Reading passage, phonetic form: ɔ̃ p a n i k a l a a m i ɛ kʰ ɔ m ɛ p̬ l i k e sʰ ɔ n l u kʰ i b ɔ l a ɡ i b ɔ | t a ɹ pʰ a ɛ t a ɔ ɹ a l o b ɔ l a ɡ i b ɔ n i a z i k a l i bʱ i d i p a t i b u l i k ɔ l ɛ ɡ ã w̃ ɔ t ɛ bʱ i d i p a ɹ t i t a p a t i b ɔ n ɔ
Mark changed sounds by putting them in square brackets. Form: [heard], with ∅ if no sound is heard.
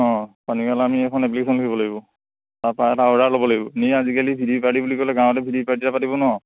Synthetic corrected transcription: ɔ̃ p a n i k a l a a m i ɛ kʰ ɔ [n] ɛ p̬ l i k e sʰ ɔ n l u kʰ i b ɔ l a ɡ i b ɔ | t a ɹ [p] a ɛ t a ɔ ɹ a l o b ɔ l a ɡ i b ɔ n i a z i k a l i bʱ i d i p a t i b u l i k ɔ l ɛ ɡ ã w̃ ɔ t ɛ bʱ i d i p a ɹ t i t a p a t i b ɔ n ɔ